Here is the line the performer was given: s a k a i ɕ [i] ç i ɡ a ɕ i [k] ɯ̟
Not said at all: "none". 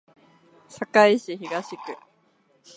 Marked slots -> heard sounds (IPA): i, k

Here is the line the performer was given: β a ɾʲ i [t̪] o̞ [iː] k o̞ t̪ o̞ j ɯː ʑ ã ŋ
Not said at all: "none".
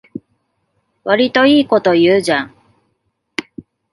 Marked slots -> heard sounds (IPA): t̪, iː

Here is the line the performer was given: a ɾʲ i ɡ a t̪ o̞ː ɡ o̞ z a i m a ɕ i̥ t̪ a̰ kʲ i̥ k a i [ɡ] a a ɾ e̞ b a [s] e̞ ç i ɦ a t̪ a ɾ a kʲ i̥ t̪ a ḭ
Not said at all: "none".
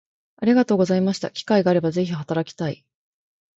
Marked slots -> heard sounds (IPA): ɡ, z

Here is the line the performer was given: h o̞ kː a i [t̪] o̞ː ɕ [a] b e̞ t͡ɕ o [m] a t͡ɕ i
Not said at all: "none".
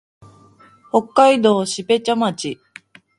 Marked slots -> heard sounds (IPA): d̪, i, m

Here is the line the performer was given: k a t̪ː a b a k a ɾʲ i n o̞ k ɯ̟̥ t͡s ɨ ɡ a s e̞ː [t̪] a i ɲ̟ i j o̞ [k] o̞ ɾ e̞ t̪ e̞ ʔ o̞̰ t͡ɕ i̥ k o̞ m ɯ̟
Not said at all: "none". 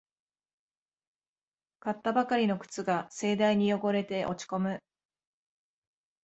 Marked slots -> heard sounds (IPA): d̪, ɡ

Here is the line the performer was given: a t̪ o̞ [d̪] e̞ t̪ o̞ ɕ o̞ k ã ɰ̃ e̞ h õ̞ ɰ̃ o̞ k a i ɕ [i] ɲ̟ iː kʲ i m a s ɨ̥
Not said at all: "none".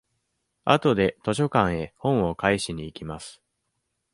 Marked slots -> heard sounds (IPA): d̪, i

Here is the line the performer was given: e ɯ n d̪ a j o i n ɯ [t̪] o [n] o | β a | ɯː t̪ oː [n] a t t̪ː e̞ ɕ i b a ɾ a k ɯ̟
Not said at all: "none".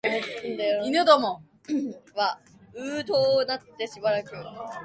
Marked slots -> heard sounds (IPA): d̪, m, n

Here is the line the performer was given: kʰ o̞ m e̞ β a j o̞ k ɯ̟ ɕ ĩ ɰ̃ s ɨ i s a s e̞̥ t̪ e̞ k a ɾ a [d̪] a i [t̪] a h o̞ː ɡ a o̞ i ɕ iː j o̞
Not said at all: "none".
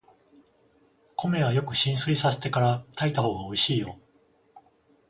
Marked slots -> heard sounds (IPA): t̪, t̪

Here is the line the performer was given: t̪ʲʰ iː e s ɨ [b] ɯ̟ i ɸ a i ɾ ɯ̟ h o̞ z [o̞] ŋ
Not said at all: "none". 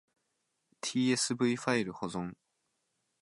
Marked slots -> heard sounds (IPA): b, õ̞

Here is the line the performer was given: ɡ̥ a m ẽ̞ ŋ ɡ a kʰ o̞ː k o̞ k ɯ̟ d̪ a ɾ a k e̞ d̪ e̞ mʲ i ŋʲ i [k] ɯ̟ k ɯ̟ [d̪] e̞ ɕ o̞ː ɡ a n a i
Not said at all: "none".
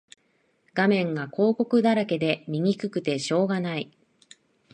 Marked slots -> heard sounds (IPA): k, t̪

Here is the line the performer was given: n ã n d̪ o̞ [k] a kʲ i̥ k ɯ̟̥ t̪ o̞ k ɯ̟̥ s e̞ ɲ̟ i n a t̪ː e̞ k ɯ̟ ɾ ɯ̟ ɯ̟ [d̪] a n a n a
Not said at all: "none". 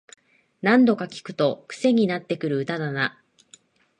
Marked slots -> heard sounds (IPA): k, t̪

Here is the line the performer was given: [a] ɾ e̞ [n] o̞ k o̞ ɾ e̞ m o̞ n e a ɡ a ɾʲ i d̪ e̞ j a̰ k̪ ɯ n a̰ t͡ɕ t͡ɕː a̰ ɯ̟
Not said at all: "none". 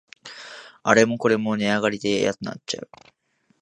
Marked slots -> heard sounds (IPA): a, m

